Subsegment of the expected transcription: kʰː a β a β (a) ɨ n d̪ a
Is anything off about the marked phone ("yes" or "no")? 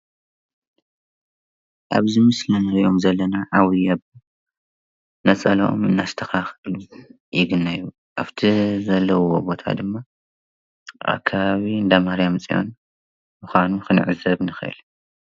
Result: yes